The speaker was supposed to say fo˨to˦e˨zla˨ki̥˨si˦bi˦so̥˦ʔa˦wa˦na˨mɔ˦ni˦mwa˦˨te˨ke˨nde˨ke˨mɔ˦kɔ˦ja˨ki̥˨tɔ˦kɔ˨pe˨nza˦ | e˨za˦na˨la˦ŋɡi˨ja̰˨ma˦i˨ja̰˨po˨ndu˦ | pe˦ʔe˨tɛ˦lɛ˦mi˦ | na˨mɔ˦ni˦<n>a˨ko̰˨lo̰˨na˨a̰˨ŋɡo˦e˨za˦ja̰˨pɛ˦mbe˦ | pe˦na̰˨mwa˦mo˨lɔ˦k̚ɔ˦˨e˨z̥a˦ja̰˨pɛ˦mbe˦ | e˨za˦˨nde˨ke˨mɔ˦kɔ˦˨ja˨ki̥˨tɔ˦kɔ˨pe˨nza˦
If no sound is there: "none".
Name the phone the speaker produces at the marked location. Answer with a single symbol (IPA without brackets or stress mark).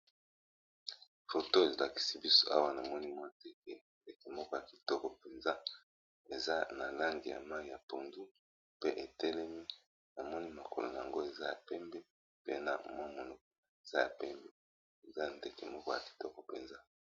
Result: m